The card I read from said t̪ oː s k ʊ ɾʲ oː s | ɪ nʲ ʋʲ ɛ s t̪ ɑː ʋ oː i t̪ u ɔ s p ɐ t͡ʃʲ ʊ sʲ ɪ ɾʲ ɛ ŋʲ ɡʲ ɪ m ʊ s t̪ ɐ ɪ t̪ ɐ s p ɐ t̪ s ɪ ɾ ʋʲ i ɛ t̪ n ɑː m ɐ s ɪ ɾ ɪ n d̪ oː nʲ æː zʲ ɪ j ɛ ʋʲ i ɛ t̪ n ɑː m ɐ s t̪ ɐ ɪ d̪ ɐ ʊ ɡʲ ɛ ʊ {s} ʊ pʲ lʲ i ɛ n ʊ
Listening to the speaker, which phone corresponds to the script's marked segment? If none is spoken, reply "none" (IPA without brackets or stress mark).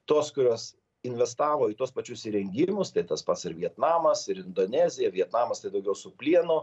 s